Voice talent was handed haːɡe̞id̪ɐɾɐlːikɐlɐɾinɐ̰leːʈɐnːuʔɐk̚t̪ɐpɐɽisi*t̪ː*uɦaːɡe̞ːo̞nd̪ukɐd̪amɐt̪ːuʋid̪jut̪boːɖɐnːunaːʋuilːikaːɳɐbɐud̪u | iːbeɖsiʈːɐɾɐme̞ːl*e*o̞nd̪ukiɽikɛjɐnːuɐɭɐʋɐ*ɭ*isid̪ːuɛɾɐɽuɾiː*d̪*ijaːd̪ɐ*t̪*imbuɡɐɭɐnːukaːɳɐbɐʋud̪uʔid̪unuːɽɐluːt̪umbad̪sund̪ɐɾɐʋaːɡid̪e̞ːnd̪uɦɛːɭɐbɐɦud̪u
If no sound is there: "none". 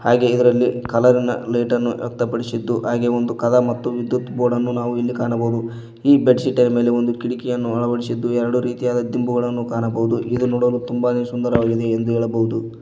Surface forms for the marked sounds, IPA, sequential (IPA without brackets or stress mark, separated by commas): d̪ː, e, ɽ, t̪, d̪